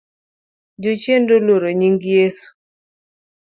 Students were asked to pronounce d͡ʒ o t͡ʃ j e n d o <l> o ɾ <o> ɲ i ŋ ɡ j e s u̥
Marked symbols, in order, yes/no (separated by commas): yes, yes